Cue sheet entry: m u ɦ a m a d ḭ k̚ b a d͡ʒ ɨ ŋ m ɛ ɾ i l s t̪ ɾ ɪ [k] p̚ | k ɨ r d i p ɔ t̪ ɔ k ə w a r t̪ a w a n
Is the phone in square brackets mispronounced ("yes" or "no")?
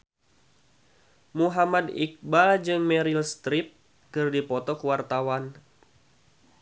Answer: yes